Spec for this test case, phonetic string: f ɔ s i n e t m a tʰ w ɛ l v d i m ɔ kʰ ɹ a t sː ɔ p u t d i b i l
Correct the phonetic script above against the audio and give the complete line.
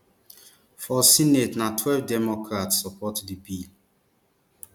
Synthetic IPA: f ɔ s i n e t n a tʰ w ɛ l v d ɛ m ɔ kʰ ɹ a t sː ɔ p ɔ t d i b i l